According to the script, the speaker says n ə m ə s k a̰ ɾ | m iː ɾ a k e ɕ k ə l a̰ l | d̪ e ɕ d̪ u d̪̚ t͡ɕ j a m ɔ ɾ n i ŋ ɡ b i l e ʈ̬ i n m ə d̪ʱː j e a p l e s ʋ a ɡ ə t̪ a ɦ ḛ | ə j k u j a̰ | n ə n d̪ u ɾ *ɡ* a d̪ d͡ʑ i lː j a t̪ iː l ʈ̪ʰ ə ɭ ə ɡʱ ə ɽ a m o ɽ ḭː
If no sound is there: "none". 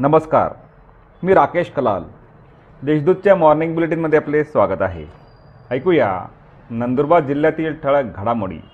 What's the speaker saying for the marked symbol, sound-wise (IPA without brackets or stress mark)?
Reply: b